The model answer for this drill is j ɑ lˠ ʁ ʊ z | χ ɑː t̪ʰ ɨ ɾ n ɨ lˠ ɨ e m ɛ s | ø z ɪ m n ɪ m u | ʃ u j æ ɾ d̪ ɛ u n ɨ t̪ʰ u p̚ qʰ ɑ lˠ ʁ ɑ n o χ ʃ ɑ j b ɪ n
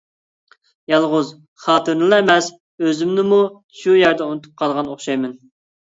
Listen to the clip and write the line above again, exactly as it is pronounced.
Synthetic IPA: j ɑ lˠ ʁ ʊ z | χ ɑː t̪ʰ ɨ ɾ n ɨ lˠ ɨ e m ɛ s | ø z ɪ m n ɪ m u | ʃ u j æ ɾ d̪ ɛ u n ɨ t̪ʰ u p̚ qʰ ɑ lˠ ʁ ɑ n o χ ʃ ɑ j m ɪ n